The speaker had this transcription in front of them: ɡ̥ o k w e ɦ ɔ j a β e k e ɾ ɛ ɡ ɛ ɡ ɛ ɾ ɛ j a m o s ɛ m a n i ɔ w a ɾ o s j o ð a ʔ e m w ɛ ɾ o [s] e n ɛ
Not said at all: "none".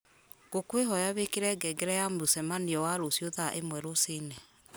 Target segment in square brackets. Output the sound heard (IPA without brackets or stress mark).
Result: s